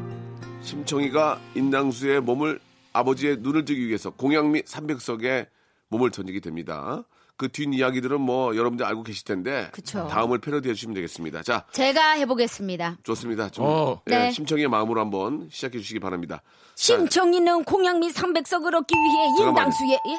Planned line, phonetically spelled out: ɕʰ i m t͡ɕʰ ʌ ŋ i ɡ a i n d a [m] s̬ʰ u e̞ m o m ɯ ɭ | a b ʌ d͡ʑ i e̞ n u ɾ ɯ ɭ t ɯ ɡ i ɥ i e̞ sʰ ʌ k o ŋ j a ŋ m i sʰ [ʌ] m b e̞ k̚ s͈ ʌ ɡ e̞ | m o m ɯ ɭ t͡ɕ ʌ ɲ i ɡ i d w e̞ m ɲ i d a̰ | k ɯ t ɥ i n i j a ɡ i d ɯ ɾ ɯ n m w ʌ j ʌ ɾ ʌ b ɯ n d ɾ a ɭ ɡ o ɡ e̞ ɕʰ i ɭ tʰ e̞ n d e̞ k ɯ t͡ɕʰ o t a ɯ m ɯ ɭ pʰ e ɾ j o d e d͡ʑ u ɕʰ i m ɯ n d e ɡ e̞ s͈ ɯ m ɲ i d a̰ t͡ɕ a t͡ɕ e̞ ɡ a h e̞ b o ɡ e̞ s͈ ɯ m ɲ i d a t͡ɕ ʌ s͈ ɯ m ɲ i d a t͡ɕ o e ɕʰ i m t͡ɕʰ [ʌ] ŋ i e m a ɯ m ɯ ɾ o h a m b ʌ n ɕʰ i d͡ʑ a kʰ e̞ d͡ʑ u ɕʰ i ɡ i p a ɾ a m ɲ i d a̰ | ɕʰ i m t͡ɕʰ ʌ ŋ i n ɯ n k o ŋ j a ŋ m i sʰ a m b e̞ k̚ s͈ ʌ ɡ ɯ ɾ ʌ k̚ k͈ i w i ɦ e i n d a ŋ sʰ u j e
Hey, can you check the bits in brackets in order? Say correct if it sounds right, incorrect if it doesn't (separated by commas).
incorrect, incorrect, correct